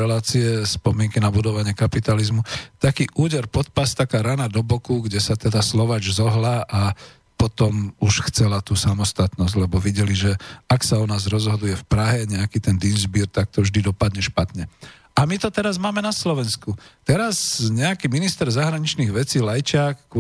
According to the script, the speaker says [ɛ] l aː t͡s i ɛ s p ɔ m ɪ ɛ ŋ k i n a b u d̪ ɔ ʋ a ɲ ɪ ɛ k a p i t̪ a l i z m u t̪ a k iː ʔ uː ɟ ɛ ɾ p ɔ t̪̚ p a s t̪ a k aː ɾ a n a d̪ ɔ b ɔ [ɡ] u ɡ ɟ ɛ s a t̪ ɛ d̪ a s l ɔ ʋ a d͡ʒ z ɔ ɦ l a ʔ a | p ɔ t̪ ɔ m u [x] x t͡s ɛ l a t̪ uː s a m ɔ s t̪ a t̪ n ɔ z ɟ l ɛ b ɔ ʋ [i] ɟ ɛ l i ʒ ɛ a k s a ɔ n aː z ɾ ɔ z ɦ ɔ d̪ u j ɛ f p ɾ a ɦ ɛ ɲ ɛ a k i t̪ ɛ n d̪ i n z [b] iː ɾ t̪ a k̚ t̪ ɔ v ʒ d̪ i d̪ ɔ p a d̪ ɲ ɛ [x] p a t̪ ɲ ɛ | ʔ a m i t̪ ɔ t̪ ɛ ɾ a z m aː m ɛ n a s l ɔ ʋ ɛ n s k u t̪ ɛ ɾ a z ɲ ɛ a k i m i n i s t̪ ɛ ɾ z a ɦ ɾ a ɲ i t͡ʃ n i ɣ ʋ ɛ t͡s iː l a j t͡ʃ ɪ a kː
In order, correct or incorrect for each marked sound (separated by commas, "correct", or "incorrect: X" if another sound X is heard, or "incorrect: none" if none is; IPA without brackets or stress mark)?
correct, incorrect: k, incorrect: ʃ, correct, correct, incorrect: ʃ